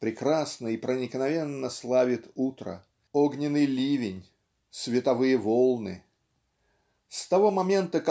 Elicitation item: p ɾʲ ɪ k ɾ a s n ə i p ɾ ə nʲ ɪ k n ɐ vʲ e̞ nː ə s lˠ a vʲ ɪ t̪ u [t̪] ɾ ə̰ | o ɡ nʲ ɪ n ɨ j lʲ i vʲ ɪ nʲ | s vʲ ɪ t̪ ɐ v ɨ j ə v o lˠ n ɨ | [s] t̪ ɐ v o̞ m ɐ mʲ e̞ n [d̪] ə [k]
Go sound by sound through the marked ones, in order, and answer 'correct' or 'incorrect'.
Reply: correct, correct, incorrect: t̪, correct

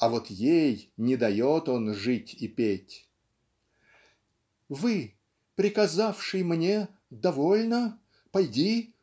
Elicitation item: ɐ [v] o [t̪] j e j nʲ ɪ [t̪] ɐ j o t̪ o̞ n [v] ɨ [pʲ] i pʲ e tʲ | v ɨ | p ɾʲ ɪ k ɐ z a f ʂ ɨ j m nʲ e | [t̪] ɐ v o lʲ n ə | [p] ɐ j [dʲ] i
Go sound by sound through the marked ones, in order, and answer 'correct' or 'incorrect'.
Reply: correct, correct, incorrect: d̪, incorrect: ʐ, incorrect: tʲ, incorrect: d̪, correct, correct

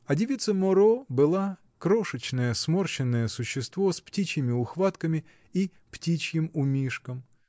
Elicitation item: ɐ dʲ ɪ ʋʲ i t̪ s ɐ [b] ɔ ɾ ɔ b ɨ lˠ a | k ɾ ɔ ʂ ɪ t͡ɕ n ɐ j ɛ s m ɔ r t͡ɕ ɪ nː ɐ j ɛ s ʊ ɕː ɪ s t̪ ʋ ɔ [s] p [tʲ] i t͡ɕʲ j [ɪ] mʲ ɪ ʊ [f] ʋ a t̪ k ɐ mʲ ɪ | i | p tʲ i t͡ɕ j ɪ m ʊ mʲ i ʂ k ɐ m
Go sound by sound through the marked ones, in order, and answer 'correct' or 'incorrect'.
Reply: incorrect: m, correct, correct, correct, incorrect: x

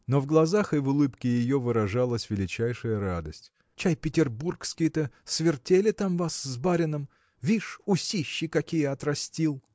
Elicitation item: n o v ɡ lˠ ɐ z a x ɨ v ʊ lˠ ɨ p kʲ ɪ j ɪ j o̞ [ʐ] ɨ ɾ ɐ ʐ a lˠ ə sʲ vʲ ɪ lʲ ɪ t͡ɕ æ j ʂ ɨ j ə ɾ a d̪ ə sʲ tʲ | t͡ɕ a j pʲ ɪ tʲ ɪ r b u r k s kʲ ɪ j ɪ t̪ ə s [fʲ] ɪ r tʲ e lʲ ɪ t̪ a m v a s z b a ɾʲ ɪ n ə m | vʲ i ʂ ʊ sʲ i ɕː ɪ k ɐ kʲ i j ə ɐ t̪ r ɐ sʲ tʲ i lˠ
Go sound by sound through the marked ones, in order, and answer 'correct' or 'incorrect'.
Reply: incorrect: v, incorrect: vʲ

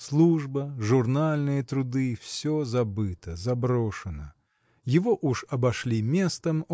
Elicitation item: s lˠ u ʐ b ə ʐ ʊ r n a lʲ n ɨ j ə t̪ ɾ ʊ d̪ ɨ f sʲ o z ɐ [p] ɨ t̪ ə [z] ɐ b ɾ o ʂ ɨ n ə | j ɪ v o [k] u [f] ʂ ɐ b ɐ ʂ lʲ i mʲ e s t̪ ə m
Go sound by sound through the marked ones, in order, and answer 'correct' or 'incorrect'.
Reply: incorrect: b, correct, incorrect: ʔ, incorrect: none

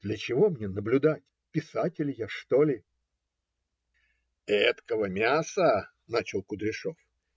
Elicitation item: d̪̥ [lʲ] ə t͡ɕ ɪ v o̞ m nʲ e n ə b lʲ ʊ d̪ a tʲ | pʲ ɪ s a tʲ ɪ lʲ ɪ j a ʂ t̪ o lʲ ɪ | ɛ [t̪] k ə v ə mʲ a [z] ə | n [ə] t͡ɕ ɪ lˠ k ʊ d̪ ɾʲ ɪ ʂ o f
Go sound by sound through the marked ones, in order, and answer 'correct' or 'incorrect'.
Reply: correct, correct, incorrect: s, incorrect: a

